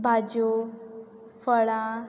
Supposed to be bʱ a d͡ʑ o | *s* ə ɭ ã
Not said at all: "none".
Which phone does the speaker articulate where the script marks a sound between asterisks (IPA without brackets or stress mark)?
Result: f